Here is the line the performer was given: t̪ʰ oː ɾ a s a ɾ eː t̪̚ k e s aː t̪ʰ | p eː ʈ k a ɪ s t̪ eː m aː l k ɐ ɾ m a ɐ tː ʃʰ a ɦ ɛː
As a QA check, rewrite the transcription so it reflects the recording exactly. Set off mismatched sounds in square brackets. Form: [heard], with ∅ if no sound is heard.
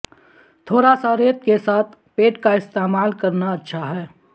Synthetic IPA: t̪ʰ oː ɾ a s a ɾ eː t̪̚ k e s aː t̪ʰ | p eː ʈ k a ɪ s t̪ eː m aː l k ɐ ɾ [n] a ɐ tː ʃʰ a ɦ ɛː